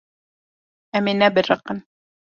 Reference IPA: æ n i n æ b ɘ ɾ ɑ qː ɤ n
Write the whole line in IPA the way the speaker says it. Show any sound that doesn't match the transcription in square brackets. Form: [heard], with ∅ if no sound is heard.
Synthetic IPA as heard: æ [m] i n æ b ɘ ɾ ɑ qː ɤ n